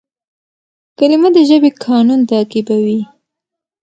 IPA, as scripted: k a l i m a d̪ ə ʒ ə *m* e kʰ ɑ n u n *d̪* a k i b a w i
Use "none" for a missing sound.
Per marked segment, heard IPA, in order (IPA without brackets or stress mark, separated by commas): b, t̪